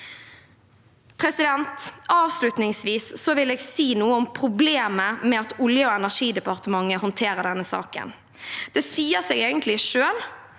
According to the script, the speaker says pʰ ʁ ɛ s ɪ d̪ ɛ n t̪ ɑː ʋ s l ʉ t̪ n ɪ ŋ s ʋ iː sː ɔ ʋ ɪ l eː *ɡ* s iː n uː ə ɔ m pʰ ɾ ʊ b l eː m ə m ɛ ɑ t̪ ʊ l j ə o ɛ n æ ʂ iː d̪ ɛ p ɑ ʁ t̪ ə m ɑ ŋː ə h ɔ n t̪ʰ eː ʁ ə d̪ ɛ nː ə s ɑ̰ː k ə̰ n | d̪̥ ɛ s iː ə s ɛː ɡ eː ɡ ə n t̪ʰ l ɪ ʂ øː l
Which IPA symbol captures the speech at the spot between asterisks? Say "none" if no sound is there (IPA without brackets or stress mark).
ɡ